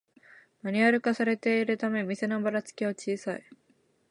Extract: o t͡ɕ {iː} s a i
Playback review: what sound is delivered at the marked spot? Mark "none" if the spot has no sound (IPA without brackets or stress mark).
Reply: iː